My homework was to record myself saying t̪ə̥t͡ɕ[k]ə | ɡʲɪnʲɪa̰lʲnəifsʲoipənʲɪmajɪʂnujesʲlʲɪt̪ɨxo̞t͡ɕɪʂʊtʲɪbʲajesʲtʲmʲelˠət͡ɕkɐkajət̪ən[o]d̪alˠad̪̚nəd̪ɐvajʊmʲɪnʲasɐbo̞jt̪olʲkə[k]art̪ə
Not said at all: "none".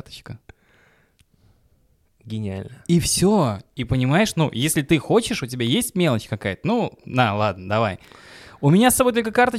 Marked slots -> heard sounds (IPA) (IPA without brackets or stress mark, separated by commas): k, u, k